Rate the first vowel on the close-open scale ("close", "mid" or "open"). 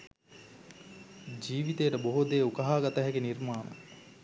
close